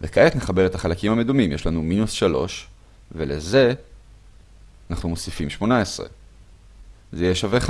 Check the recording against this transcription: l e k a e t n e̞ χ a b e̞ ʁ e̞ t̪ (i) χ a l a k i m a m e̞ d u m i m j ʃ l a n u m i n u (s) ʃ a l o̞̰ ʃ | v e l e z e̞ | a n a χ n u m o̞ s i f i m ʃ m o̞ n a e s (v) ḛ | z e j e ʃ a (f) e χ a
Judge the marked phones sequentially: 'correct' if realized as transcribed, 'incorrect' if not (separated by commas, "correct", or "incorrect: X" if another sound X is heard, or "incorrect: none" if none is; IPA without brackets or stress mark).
incorrect: a, correct, incorrect: ʁ, incorrect: v